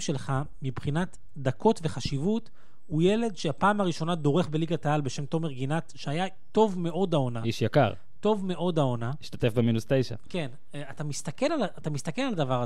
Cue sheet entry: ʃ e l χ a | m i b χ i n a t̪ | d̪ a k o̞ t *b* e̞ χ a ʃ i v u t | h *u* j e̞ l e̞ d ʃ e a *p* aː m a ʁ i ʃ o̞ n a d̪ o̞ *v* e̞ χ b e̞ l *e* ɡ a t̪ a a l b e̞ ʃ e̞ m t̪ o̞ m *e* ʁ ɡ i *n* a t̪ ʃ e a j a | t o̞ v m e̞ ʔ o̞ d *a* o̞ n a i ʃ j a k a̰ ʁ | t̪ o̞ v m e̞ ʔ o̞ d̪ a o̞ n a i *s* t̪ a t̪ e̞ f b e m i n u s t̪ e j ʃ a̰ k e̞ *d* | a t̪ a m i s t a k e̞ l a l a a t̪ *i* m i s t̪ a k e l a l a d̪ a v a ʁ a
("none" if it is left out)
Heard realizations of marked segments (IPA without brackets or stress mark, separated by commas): v, u, p, ʁ, i, e, n, a, ʃ, n, a